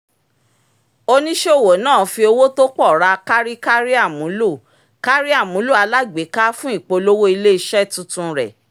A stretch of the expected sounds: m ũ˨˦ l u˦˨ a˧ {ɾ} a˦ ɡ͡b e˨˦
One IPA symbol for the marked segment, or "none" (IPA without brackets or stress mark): l